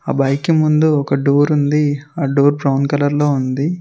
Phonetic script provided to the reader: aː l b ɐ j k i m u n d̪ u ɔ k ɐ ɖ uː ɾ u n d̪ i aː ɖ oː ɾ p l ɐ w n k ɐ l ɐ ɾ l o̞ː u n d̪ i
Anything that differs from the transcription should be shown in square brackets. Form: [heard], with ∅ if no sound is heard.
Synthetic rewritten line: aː [∅] b ɐ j k i m u n d̪ u ɔ k ɐ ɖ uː ɾ u n d̪ i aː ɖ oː ɾ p [ɾ] ɐ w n k ɐ l ɐ ɾ l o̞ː u n d̪ i